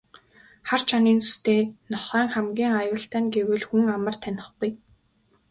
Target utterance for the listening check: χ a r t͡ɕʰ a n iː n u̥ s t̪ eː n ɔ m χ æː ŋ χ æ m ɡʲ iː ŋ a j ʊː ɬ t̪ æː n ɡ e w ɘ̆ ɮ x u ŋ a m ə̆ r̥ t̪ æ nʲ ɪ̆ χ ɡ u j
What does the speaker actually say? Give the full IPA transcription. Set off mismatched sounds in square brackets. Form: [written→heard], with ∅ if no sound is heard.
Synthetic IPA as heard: χ a r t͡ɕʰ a n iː n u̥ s t̪ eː n ɔ [m→∅] χ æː ŋ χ æ m ɡʲ iː ŋ a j ʊː ɬ t̪ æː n ɡ e w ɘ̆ ɮ x u ŋ a m ə̆ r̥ [t̪→t̪ʰ] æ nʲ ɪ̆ χ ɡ u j